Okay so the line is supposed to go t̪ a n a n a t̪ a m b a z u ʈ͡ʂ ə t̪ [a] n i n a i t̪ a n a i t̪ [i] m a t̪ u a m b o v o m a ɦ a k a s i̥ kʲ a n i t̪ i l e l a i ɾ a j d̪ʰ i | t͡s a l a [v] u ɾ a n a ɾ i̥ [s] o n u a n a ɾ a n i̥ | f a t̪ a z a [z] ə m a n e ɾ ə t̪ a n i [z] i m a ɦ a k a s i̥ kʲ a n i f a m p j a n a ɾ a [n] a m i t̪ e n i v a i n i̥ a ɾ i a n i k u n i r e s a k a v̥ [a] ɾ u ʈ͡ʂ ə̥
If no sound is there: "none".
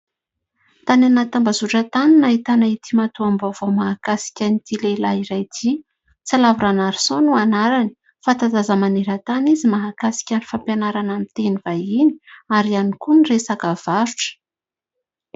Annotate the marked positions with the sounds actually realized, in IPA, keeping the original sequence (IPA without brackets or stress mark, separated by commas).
a, i, v, s, z, z, n, a